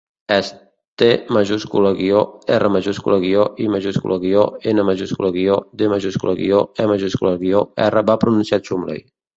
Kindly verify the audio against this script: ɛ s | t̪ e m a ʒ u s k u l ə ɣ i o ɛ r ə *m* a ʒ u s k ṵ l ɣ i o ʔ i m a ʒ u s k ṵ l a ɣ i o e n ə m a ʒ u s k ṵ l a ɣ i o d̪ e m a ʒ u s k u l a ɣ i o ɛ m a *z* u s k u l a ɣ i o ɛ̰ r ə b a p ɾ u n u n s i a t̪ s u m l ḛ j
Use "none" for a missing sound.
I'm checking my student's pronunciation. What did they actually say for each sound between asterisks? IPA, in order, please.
m, ʒ

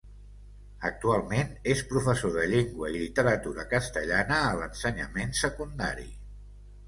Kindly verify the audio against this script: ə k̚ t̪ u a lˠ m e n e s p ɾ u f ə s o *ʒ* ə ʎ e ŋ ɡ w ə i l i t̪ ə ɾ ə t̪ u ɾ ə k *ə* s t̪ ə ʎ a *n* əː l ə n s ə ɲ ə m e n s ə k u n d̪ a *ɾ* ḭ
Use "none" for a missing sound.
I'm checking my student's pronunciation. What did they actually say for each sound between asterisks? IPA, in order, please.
ð, ə, n, ɾ

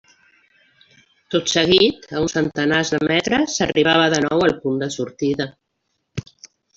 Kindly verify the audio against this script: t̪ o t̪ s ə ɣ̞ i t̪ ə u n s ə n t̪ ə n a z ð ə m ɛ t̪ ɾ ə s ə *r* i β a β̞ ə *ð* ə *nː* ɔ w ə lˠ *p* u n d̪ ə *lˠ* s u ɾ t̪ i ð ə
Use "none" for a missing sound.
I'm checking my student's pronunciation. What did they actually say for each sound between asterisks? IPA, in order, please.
r, ð, n, p, none

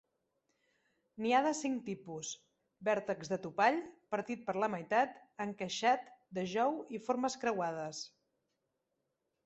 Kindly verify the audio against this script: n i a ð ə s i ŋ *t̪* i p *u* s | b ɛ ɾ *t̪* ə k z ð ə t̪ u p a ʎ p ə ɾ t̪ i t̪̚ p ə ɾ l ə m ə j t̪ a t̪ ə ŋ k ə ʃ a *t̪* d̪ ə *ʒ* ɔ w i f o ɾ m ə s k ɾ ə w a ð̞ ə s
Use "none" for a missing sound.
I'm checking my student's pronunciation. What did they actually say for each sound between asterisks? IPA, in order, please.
t̪, u, t̪, t̪, ʒ

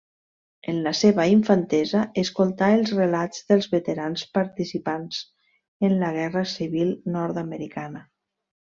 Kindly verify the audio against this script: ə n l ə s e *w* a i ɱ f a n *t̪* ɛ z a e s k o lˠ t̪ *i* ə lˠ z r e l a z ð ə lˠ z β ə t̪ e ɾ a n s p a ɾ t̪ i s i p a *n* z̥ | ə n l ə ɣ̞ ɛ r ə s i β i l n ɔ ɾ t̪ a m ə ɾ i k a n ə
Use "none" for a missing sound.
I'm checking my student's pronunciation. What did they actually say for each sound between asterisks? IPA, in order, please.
β, t̪, a, n

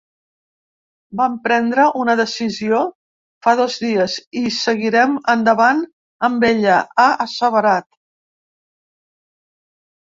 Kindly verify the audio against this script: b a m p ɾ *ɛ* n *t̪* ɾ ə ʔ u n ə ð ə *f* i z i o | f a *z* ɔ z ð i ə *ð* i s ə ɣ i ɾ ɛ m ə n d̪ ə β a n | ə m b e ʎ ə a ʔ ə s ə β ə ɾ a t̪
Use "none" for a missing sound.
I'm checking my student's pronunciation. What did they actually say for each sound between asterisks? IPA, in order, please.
ɛ, d̪, s, ð, z

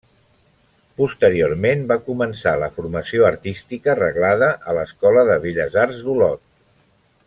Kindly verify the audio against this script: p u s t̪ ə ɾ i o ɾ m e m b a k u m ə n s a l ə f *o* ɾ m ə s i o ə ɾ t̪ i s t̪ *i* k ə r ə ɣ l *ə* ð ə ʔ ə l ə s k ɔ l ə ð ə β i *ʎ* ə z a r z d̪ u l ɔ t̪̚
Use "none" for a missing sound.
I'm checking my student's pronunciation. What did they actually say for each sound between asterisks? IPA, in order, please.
u, i, a, ʎ

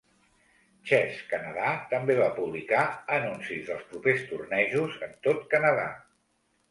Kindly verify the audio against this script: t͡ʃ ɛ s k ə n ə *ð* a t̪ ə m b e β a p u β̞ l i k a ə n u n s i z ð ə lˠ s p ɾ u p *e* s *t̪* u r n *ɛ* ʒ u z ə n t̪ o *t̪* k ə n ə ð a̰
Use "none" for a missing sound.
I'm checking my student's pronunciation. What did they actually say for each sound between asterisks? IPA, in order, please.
ð, e, t̪, ɛ, t̪

